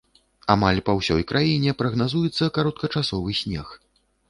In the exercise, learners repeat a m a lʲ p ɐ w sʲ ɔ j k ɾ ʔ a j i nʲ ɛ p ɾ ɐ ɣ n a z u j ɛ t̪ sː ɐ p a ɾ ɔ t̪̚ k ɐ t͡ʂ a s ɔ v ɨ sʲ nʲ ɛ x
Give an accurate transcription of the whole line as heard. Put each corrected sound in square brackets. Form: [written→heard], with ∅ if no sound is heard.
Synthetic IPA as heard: a m a lʲ p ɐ w sʲ ɔ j k ɾ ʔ a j i nʲ ɛ p ɾ ɐ ɣ n a z u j ɛ t̪ sː ɐ [p→k] a ɾ ɔ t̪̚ k ɐ t͡ʂ a s ɔ v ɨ sʲ nʲ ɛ x